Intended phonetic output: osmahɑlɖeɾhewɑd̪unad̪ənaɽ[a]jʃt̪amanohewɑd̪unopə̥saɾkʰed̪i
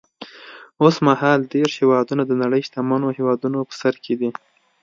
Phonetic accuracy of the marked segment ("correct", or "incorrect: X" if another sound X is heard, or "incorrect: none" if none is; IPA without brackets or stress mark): incorrect: ə